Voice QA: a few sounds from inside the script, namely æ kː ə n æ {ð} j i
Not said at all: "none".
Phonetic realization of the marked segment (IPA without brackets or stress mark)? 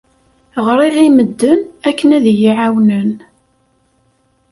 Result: ð